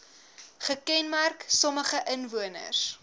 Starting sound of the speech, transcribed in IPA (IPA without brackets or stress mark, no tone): χ